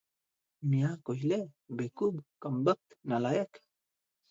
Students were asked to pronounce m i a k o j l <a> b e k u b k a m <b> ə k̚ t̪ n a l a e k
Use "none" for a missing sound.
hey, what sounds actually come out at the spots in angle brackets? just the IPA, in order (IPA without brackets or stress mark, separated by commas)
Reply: e, b